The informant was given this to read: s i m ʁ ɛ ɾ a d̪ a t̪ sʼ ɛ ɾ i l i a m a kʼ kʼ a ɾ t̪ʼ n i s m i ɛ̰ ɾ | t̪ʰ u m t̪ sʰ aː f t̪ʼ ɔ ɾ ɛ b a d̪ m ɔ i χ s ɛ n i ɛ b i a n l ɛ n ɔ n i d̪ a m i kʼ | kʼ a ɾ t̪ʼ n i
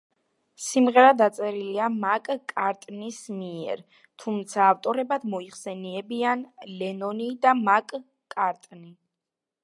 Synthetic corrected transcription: s i m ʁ ɛ ɾ a d̪ a t̪ sʼ ɛ ɾ i l i a m a kʼ kʼ a ɾ t̪ʼ n i s m i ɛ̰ ɾ | t̪ʰ u m t̪ sʰ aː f t̪ʼ ɔ ɾ ɛ b a d̪ m ɔ i χ s ɛ n i ɛ b i a n l ɛ n ɔ n i d̪ a m a kʼ | kʼ a ɾ t̪ʼ n i